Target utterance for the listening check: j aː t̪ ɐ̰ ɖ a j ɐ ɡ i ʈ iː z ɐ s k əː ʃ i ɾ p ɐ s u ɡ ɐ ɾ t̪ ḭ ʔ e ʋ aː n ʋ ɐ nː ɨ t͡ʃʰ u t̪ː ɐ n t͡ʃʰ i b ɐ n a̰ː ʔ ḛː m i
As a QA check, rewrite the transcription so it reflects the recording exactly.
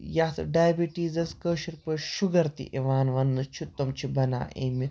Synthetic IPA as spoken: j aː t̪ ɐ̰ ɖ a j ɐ b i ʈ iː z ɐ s k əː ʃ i ɾ p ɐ ʃ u ɡ ɐ ɾ t̪ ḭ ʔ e ʋ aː n ʋ ɐ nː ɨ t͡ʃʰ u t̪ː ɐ m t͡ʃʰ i b ɐ n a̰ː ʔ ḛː m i